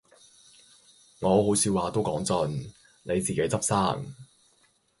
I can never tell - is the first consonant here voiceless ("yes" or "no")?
no